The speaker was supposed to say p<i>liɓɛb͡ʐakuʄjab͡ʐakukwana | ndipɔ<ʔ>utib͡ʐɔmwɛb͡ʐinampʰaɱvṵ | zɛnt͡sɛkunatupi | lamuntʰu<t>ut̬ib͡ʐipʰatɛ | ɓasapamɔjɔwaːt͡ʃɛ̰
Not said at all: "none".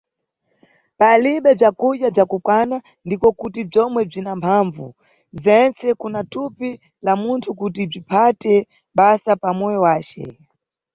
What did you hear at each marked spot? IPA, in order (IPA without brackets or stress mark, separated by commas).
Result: a, k, k